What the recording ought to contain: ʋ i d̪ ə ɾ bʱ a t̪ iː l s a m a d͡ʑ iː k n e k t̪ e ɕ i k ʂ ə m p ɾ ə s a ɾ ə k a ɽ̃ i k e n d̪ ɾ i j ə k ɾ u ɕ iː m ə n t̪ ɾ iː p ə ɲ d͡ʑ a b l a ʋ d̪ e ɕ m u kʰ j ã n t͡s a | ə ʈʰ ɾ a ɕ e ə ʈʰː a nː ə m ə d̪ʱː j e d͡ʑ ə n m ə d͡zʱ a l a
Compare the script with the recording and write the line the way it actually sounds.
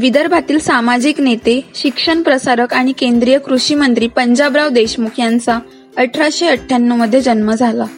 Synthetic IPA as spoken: ʋ i d̪ ə ɾ bʱ a t̪ iː l s a m a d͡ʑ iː k n e t̪ e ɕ i k ʂ ə ɳ p ɾ ə s a ɾ ə k a ɽ̃ i k e n d̪ ɾ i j ə k ɾ u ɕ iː m ə n t̪ ɾ iː p ə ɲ d͡ʑ a b ɾ a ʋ d̪ e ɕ m u kʰ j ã n t͡s a | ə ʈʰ ɾ a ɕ e ə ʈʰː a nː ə m ə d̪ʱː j e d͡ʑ ə n m ə d͡zʱ a l a